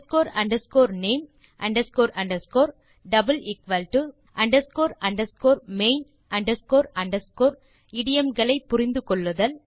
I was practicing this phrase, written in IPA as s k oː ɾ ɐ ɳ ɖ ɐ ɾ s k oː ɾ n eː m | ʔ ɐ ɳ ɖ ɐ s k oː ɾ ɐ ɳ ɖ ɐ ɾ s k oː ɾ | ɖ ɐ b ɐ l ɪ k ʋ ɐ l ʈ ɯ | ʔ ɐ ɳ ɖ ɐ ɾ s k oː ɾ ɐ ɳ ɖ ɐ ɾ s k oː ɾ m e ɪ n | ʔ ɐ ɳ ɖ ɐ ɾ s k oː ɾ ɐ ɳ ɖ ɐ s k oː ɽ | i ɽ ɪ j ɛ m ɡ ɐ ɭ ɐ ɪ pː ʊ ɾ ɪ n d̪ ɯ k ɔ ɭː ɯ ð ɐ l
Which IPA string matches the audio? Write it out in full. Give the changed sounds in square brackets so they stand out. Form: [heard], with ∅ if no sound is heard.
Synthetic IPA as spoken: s k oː ɾ ɐ ɳ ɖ ɐ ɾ s k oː ɾ n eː m | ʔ ɐ ɳ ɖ ɐ s k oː ɾ ɐ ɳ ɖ ɐ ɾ s k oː ɾ | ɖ ɐ b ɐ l ɪ k ʋ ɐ l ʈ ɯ | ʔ ɐ ɳ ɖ ɐ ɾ s k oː ɾ ɐ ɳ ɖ ɐ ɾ s k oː ɾ m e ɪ n | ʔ ɐ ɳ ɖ ɐ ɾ s k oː ɾ ɐ ɳ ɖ ɐ s k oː [ɾ] | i ɽ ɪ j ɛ m ɡ ɐ ɭ ɐ ɪ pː ʊ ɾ ɪ n d̪ ɯ k ɔ ɭː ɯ ð ɐ l

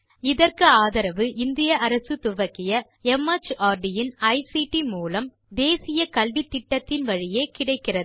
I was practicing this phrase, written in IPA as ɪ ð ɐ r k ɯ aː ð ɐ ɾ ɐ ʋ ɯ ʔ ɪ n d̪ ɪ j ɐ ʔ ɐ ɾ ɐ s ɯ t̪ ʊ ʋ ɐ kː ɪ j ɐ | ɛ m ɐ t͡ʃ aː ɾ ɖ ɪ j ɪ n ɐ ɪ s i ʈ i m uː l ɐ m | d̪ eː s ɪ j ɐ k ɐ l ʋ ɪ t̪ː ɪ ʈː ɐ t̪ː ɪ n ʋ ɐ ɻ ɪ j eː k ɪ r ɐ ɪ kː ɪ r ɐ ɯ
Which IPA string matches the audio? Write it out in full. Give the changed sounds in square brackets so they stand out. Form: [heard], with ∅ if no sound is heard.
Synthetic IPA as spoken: ɪ ð ɐ r k ɯ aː ð ɐ ɾ ɐ ʋ ɯ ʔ ɪ n d̪ ɪ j ɐ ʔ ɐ ɾ ɐ s ɯ t̪ ʊ ʋ ɐ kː ɪ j ɐ | ɛ m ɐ t͡ʃ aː ɾ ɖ ɪ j ɪ n ɐ ɪ s i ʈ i m uː l ɐ m | d̪ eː s ɪ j ɐ k ɐ l ʋ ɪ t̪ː ɪ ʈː ɐ t̪ː ɪ n ʋ ɐ ɻ ɪ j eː k ɪ [ɽ] ɐ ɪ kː ɪ r ɐ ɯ

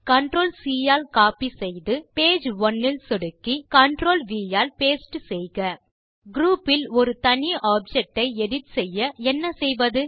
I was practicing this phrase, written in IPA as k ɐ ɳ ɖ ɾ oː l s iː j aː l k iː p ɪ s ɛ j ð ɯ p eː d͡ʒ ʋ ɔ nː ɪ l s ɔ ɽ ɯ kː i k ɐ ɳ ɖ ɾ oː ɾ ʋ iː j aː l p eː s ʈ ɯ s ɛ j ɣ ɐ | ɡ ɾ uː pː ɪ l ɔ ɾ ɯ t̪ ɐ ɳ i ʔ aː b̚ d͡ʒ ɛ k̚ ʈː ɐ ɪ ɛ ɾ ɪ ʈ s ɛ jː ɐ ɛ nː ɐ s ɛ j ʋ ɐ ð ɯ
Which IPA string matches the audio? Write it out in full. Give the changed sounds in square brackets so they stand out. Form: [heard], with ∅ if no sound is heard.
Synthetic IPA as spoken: k ɐ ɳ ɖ ɾ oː l s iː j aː l k [aː] p [i] s ɛ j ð ɯ p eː d͡ʒ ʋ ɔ nː ɪ l s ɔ ɽ ɯ kː i k ɐ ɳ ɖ ɾ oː [l] ʋ iː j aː l p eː s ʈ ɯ s ɛ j ɣ ɐ | ɡ ɾ uː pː ɪ l ɔ ɾ ɯ t̪ ɐ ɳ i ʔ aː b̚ d͡ʒ ɛ k̚ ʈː ɐ ɪ ɛ [ɽ] ɪ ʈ s ɛ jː ɐ ɛ nː ɐ s ɛ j ʋ ɐ ð ɯ

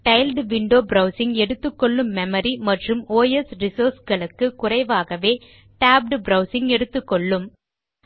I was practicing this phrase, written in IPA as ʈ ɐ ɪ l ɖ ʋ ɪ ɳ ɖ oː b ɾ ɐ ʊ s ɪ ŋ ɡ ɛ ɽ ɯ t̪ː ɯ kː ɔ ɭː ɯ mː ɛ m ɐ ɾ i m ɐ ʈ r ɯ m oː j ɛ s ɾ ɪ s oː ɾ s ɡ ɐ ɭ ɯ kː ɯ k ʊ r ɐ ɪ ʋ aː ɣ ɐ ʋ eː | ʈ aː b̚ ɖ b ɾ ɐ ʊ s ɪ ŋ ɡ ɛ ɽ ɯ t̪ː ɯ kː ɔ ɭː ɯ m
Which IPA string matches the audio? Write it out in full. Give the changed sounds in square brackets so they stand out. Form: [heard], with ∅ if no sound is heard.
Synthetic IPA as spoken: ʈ ɐ ɪ l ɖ ʋ ɪ ɳ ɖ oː b ɾ ɐ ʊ s ɪ ŋ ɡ ɛ ɽ ɯ t̪ː ɯ kː ɔ ɭː ɯ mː ɛ m ɐ ɾ i m ɐ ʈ r ɯ m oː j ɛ s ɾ ɪ s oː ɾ s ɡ ɐ ɭ ɯ kː ɯ k ʊ r ɐ ɪ ʋ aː ɣ ɐ ʋ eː | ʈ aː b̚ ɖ b ɾ ɐ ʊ s ɪ ŋ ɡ ɛ ɽ ɯ t̪ː ɯ kː ɔ ɭː ɯ m

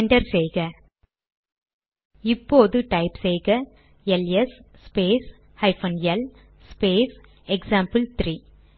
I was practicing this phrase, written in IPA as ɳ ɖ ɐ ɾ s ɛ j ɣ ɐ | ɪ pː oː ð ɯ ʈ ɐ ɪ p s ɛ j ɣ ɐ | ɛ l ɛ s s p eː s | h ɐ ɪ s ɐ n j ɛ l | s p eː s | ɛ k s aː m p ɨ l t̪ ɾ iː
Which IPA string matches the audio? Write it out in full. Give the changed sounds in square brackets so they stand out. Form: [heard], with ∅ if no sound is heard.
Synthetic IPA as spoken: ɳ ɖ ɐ ɾ s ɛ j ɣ ɐ | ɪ pː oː ð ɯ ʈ ɐ ɪ p s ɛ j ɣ ɐ | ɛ l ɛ s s p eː s | h ɐ ɪ [f] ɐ n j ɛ l | s p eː s | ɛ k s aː m p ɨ l t̪ ɾ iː

